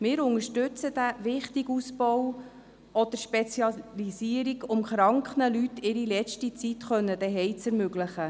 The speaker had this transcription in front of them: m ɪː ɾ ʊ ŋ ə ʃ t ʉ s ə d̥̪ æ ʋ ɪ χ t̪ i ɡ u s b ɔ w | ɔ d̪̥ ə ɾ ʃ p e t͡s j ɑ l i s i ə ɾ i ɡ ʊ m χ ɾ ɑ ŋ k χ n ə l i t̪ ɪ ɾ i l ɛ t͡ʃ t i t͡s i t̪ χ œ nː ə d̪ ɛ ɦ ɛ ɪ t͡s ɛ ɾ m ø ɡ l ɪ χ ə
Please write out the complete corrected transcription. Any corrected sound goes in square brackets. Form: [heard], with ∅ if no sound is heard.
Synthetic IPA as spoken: m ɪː ɾ ʊ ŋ ə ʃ t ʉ [t͡s] ə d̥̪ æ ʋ ɪ χ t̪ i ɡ u s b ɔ w | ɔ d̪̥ ə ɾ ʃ p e t͡s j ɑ l i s i ə ɾ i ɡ ʊ m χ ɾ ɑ ŋ k χ n ə l [y] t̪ ɪ ɾ i l ɛ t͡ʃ t i t͡s i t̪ χ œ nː ə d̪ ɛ ɦ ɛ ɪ t͡s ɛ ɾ m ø ɡ l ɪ χ ə